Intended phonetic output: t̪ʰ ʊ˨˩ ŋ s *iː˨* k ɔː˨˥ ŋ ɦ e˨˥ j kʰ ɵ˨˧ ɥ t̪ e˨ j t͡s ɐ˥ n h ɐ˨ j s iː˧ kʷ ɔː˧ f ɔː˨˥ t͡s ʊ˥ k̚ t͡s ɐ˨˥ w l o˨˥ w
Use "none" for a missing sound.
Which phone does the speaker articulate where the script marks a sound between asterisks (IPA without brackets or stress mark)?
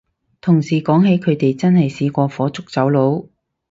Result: iː˨